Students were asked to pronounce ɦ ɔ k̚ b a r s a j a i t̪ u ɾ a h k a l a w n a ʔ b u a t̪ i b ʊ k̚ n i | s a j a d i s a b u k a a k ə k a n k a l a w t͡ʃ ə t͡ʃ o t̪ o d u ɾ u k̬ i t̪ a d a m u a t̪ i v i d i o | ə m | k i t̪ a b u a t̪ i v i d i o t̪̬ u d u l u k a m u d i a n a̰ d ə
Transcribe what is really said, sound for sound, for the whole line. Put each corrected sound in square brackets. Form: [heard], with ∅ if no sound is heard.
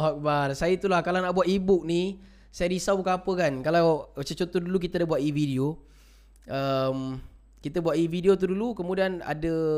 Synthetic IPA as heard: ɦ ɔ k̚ b a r s a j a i t̪ u [l] a h k a l a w n a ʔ b u a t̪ i b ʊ k̚ n i | s a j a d i s a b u k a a [p] ə k a n k a l a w t͡ʃ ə t͡ʃ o t̪ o d u [l] u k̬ i t̪ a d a [b] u a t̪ i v i d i o | ə m | k i t̪ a b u a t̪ i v i d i o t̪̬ u d u l u k [ə] m u d i a n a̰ d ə